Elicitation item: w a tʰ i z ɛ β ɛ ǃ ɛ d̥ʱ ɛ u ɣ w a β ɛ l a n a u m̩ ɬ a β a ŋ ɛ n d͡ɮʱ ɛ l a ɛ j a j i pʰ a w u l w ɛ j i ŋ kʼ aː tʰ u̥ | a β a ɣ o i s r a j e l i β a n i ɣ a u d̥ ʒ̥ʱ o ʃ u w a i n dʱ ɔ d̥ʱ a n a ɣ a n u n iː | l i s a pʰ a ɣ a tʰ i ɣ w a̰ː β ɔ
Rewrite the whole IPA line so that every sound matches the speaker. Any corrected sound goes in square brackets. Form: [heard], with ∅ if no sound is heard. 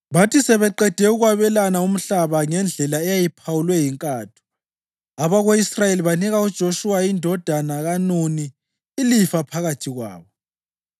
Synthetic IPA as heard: [β] a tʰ i [s] ɛ β ɛ ǃ ɛ d̥ʱ ɛ u ɣ w a β ɛ l a n a u m̩ ɬ a β a ŋ ɛ n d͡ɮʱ ɛ l a ɛ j a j i pʰ a w u l w ɛ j i ŋ kʼ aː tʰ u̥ | a β a ɣ o i s r a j e l i β a n i ɣ a u d̥ ʒ̥ʱ o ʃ u w a i n dʱ ɔ d̥ʱ a n a ɣ a n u n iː | l i [f] a pʰ a ɣ a tʰ i ɣ w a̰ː β ɔ